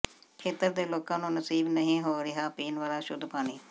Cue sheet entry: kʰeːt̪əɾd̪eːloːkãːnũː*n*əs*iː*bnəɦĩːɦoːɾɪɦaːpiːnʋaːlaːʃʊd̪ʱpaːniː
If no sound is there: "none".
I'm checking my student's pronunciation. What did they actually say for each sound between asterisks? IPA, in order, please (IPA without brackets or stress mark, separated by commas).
n, iː